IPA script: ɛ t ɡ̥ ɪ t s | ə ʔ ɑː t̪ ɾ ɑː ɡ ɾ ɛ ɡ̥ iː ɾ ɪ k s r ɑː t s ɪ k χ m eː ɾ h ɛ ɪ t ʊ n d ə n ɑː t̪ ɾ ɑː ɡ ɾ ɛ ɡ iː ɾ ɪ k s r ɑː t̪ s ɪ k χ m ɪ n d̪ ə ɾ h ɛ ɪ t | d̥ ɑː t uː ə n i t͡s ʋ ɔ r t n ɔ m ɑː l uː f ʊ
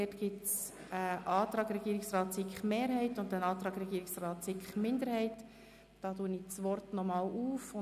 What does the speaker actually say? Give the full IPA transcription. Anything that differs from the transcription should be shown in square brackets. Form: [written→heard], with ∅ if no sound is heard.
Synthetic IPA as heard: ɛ t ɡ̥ ɪ t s | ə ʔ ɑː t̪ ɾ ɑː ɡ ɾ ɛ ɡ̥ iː ɾ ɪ k s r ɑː t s ɪ k χ m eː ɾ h ɛ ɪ t ʊ n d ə n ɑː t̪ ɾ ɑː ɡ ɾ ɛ ɡ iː ɾ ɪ k s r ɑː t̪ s ɪ k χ m ɪ n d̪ ə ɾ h ɛ ɪ t | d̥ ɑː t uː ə n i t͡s ʋ ɔ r t n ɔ m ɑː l uː f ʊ